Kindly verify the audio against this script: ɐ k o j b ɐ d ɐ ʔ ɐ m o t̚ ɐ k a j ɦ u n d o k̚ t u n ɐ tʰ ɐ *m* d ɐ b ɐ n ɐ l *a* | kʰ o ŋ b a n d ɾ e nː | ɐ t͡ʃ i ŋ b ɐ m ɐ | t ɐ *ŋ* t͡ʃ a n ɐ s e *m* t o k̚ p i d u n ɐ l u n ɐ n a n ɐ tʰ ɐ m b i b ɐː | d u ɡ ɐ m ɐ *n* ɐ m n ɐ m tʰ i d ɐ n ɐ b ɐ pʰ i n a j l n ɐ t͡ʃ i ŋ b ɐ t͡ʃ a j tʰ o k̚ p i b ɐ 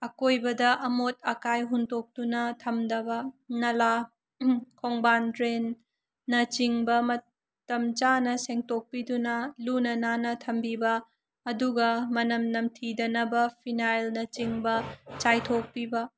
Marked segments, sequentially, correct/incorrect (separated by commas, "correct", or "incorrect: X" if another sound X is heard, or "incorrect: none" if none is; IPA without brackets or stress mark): correct, correct, incorrect: m, incorrect: ŋ, correct